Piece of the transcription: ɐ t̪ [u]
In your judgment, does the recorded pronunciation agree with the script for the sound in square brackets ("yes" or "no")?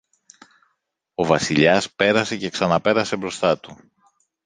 yes